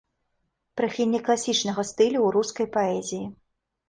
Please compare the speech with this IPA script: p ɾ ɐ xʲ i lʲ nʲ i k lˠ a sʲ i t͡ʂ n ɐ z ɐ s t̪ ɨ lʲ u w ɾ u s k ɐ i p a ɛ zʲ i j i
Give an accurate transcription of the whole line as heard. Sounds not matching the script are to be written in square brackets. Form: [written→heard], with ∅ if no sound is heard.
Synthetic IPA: p ɾ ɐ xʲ i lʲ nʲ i k lˠ a sʲ i t͡ʂ n ɐ [z→ɣ] ɐ s t̪ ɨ lʲ u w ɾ u s k ɐ [i→j] p a ɛ zʲ i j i